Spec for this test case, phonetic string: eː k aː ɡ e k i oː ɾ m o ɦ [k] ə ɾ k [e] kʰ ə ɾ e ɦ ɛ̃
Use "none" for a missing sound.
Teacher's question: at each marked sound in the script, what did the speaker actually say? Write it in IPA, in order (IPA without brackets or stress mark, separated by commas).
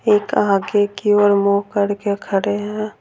k, e